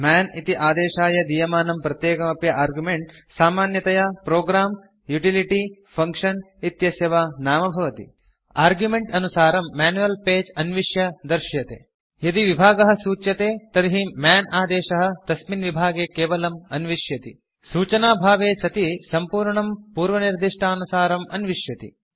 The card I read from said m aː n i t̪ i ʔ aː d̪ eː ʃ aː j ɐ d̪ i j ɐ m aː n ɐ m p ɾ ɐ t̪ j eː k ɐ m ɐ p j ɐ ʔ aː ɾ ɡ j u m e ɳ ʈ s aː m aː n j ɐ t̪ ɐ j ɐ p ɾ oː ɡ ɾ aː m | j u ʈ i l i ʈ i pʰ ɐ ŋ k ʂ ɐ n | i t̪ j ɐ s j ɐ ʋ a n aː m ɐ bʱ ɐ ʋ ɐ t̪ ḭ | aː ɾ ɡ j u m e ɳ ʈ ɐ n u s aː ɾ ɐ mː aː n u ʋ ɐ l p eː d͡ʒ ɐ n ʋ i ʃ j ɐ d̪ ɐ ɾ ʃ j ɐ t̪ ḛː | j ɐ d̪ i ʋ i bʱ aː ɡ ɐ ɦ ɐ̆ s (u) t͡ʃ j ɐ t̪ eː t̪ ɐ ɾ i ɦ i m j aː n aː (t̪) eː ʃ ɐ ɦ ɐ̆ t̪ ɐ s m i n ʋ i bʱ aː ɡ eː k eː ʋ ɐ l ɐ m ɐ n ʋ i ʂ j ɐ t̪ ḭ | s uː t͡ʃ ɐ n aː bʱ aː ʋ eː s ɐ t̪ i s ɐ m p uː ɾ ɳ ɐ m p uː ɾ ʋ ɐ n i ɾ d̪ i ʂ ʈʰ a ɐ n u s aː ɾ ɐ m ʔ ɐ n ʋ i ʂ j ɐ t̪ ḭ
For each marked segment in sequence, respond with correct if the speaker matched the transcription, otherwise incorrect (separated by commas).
incorrect, incorrect